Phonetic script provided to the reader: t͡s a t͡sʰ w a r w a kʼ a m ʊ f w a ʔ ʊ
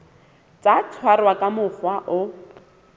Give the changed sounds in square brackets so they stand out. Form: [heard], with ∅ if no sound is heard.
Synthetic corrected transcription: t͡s a t͡sʰ w a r w a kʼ a m ʊ f w a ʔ ʊ

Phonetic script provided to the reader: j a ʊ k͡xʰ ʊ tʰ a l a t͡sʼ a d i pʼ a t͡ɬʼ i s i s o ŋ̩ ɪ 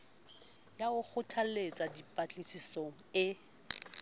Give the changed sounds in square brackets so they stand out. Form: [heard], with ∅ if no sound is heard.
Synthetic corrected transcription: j a ʊ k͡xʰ ʊ tʰ a l [e] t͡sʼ a d i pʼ a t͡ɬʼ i s i s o ŋ̩ ɪ

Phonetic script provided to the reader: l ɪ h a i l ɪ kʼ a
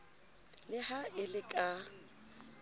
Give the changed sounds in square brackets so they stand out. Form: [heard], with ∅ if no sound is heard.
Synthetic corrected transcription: l ɪ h a [ɪ] l ɪ kʼ a

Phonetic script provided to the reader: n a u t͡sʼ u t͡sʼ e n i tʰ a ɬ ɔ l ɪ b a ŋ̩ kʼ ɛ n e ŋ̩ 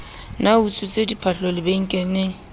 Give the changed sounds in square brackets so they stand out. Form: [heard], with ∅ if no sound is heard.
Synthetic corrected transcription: n a u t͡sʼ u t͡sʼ e [d] i [pʰ] a ɬ ɔ l ɪ b [e] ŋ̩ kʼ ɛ n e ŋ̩

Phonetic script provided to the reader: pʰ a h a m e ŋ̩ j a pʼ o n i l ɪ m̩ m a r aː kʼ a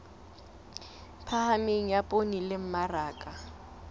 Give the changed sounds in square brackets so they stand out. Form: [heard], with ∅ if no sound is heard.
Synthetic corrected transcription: pʰ a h a m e ŋ̩ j a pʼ o n i l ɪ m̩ m a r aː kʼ a

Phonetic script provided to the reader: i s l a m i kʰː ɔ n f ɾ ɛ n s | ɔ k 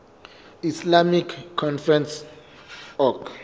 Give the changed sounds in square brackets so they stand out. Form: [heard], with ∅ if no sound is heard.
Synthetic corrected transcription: i s l a m i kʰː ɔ n f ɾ ɛ n s | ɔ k

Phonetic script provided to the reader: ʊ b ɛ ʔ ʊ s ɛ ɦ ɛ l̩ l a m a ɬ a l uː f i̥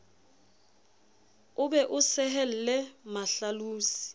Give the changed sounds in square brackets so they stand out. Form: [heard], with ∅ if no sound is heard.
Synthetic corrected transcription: ʊ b ɛ ʔ ʊ s ɛ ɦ ɛ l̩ l [ɛ] m a ɬ a l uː [s] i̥

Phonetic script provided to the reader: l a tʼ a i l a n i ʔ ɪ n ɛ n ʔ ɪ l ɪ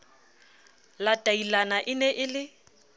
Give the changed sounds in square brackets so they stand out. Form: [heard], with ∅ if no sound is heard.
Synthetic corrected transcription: l a tʼ a i l a n [a] ʔ ɪ n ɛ [∅] ʔ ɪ l ɪ

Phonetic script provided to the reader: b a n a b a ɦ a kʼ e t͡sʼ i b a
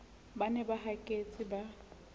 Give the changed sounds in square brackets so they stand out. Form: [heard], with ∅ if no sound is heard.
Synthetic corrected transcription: b a n [ɛ] b a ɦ a kʼ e t͡sʼ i b a

